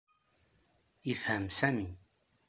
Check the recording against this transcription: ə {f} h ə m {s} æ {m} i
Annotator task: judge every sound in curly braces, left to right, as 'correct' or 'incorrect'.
correct, correct, correct

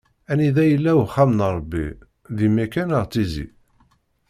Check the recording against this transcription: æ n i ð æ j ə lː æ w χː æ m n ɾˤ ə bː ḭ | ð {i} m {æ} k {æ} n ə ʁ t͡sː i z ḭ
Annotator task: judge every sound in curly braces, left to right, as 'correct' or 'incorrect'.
correct, correct, correct

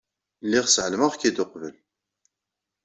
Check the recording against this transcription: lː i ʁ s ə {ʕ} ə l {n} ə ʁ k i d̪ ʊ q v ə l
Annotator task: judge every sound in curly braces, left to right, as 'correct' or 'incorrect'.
correct, incorrect: m

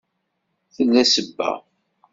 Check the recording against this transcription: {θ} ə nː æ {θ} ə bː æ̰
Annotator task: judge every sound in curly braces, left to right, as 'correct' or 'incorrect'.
correct, incorrect: s

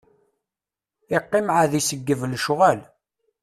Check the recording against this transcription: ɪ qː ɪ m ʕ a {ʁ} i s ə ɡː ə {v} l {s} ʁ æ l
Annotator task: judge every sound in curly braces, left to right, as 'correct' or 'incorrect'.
incorrect: ð, correct, incorrect: ʃ

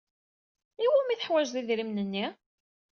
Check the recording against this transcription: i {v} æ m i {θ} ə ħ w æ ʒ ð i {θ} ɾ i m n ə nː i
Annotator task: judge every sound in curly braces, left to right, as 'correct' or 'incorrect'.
incorrect: w, correct, incorrect: ð

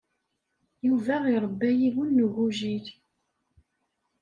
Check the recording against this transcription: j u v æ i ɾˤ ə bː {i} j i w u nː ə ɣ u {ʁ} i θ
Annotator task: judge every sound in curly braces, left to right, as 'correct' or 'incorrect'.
incorrect: æ, incorrect: ʒ

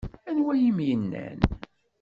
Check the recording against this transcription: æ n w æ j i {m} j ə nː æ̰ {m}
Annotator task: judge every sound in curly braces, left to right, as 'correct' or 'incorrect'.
correct, incorrect: n

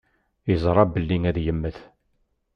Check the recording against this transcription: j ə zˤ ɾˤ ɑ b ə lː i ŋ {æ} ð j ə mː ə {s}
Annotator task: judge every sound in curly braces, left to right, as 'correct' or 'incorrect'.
correct, incorrect: θ

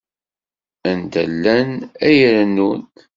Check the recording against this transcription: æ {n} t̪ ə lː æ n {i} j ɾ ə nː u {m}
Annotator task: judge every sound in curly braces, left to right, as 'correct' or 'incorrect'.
correct, incorrect: æ, incorrect: n

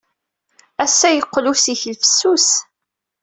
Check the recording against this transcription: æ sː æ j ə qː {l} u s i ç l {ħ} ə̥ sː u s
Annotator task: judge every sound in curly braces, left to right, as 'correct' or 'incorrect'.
correct, incorrect: f

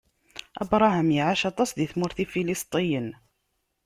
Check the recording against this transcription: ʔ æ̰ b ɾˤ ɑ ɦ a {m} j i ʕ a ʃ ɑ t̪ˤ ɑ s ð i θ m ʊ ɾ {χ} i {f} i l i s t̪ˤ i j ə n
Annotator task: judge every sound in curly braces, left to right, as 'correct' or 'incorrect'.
correct, incorrect: θ, correct

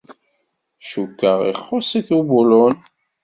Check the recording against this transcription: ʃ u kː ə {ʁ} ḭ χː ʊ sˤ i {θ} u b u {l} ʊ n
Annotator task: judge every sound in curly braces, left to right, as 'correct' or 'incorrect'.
correct, correct, correct

